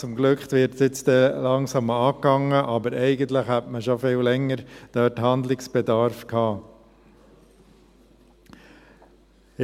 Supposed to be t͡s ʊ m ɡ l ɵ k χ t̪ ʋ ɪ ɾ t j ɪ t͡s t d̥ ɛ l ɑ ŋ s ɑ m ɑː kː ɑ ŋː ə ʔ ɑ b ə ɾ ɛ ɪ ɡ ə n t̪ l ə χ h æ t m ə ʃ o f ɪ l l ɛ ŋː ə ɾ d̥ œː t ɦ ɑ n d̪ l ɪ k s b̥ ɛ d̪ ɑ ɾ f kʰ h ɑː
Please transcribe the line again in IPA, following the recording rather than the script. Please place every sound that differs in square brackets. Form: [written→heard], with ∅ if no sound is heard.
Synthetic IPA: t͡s ʊ m ɡ l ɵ k χ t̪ ʋ ɪ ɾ t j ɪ t͡s t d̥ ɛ l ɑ ŋ s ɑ m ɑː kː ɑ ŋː ə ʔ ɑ b ə ɾ ɛ ɪ ɡ ə n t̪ l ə χ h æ t m ə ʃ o f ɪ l l ɛ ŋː ə ɾ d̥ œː t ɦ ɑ n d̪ l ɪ k s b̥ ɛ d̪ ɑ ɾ f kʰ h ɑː